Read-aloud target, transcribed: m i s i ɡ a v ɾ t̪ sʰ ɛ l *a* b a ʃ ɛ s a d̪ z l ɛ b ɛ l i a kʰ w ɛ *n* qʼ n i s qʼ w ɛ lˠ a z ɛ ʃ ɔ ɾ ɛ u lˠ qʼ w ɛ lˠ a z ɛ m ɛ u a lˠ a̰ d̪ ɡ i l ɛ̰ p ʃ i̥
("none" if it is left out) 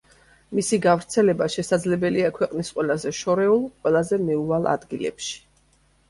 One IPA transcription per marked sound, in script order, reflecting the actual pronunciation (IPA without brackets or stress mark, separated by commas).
ɛ, none